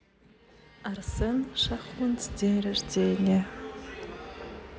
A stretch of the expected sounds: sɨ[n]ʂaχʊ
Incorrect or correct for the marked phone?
correct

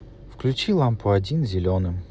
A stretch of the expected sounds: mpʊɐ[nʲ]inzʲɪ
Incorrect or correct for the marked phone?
incorrect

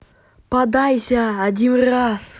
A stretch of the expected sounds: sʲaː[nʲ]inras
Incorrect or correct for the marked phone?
incorrect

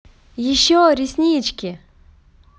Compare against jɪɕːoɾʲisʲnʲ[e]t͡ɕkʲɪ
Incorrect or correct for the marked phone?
incorrect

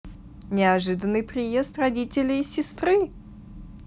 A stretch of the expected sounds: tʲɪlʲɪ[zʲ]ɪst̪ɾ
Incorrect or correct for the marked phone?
incorrect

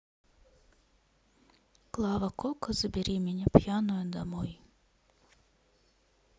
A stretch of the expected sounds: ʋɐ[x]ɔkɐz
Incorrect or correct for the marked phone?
incorrect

